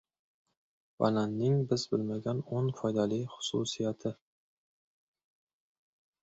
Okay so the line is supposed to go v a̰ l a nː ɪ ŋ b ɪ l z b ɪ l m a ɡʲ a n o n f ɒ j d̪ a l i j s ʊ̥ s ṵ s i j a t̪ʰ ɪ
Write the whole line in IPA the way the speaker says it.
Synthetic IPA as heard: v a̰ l a nː ɪ ŋ b ɪ z b ɪ l m a ɡʲ a n o n f ɒ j d̪ a l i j χ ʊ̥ s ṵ s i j a t̪ʰ ɪ